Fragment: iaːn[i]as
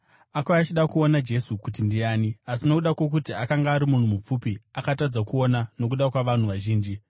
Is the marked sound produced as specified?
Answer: yes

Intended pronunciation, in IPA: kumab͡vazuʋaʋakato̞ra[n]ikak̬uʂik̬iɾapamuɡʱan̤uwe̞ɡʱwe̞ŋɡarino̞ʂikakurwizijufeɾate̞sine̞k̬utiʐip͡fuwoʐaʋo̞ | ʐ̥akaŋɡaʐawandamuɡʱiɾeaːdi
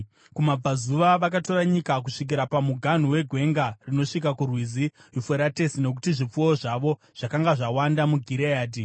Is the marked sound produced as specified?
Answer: no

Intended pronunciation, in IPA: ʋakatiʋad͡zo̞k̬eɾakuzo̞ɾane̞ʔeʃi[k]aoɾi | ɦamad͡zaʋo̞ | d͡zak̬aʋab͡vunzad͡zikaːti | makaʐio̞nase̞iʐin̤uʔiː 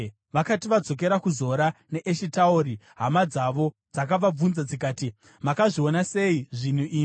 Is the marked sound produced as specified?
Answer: no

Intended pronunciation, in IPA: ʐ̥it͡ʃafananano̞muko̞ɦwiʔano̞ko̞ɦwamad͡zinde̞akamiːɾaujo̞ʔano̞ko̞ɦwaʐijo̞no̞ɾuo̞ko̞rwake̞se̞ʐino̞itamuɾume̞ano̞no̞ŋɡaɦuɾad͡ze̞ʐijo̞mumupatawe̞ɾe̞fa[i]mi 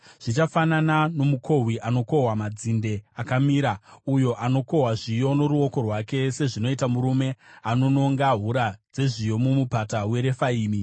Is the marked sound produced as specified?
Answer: no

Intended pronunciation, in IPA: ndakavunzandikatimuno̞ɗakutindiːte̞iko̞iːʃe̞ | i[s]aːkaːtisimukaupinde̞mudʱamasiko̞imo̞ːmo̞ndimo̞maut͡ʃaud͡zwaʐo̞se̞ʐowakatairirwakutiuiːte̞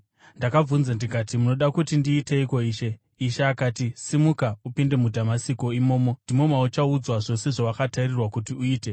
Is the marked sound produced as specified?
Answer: no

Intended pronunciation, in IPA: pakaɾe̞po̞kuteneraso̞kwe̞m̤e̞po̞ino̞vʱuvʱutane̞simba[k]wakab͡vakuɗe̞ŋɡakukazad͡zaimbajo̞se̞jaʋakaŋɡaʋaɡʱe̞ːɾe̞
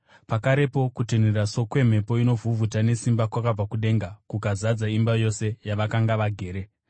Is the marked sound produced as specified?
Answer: yes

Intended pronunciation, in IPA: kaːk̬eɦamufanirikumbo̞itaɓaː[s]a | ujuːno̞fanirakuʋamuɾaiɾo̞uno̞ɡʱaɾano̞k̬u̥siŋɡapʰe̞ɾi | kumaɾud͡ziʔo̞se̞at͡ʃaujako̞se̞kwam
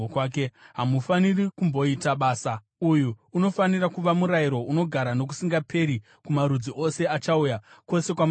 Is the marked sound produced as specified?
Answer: yes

